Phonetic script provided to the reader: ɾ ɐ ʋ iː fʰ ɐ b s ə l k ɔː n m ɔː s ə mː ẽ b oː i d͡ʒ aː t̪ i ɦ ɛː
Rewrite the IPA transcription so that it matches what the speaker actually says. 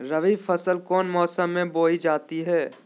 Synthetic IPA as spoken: ɾ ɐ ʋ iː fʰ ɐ s ə l k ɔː n m ɔː s ə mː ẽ b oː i d͡ʒ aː t̪ i ɦ ɛː